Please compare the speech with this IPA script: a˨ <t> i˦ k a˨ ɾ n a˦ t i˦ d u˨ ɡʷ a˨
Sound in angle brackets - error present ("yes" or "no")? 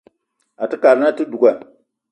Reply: no